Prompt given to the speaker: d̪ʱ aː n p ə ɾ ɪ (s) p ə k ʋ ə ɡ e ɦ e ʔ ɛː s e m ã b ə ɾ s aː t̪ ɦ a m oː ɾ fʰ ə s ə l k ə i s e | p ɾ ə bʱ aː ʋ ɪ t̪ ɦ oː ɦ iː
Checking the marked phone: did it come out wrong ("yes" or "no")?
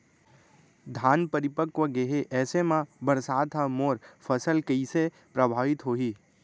yes